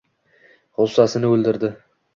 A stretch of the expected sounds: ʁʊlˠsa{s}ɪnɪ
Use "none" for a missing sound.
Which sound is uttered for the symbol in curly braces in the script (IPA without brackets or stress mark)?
s